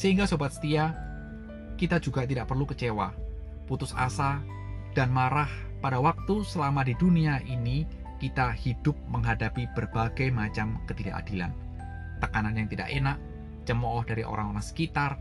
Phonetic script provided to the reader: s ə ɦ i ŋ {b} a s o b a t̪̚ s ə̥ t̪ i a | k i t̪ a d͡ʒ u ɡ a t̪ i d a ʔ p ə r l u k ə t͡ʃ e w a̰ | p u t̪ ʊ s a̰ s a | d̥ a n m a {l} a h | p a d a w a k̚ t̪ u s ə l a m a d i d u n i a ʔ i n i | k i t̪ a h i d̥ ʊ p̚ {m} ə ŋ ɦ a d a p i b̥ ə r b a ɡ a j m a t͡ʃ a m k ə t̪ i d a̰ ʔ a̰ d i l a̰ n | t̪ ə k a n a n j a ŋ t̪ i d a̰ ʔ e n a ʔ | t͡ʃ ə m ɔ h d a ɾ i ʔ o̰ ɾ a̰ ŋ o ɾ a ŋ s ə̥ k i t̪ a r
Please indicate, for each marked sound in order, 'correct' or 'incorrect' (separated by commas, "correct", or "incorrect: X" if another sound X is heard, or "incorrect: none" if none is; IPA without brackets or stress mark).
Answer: incorrect: ɡ, incorrect: ɾ, correct